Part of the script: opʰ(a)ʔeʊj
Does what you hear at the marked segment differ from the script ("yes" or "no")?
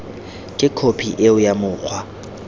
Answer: yes